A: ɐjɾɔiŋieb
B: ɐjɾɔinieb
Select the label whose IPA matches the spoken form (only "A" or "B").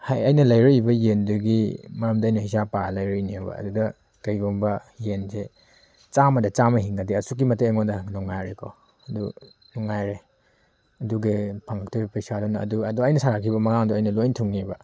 B